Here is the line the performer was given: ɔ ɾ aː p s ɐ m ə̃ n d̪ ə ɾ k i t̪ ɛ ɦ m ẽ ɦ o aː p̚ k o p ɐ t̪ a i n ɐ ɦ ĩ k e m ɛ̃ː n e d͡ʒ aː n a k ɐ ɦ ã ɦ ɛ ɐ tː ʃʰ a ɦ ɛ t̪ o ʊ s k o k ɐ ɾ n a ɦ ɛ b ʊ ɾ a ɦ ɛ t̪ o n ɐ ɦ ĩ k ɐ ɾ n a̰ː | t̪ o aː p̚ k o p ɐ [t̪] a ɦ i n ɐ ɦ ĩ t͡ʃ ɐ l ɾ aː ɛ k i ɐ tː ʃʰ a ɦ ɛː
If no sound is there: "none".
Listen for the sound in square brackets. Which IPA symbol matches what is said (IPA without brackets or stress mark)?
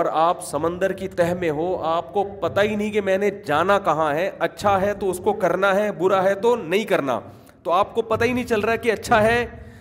t̪